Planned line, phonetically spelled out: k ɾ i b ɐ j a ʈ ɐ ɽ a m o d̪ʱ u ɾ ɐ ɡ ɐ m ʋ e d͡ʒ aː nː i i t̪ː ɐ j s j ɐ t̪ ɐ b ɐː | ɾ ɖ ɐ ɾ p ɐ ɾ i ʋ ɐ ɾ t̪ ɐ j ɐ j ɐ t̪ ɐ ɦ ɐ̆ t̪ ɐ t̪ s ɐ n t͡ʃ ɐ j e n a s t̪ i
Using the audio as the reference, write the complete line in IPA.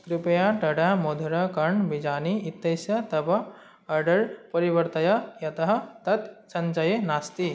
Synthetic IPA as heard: k ɾ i p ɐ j a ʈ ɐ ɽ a m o d̪ʱ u ɾ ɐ k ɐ ɳ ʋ i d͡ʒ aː n i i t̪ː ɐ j s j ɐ t̪ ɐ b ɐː | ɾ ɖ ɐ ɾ p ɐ ɾ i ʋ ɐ ɾ t̪ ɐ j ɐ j ɐ t̪ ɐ ɦ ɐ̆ t̪ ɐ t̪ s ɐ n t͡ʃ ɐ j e n a s t̪ i